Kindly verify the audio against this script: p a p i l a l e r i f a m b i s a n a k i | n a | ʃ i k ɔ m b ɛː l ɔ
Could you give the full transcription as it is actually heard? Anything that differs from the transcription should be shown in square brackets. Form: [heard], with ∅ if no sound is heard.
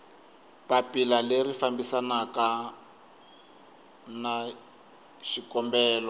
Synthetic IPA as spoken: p a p i l a l e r i f a m b i s a n a k [a] | n a | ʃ i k ɔ m b ɛː l ɔ